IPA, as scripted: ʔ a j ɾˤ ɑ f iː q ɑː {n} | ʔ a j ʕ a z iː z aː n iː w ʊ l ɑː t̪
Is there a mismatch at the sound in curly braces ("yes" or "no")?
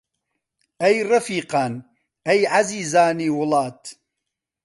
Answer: no